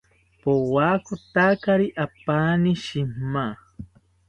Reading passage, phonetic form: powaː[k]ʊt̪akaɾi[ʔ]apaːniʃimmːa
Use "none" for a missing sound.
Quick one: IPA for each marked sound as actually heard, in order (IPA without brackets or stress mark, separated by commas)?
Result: k, ʔ